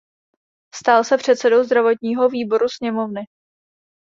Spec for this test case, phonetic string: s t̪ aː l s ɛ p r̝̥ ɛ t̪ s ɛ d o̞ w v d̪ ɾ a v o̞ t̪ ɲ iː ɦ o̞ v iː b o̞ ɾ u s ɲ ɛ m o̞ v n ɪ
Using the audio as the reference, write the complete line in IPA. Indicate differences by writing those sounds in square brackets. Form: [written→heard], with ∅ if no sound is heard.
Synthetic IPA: s t̪ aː l s ɛ p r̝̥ ɛ t̪ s ɛ d o̞ w [v→z] d̪ ɾ a v o̞ t̪ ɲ iː ɦ o̞ v iː b o̞ ɾ u s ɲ ɛ m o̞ v n ɪ